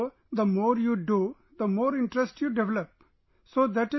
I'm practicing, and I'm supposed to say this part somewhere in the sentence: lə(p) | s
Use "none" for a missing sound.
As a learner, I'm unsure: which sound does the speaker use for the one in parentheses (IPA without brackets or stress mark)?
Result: p